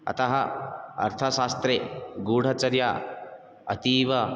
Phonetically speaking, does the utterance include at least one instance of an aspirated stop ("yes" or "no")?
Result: yes